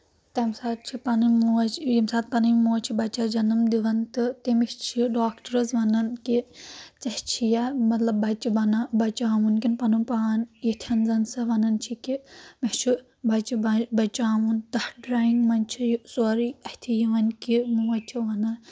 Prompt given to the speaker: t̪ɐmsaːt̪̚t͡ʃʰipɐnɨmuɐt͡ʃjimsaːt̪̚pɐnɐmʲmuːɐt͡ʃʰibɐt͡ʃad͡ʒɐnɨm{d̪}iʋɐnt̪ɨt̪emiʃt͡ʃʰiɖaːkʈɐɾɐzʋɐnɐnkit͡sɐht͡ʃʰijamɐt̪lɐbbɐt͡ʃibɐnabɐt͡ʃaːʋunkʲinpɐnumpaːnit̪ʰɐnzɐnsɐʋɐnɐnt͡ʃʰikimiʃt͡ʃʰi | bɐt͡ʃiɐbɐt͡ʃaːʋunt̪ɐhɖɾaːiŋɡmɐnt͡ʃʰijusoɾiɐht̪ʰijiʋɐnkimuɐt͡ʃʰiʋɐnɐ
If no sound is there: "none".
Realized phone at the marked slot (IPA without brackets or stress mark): d̪